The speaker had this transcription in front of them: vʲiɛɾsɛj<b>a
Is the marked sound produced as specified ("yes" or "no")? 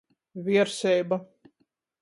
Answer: yes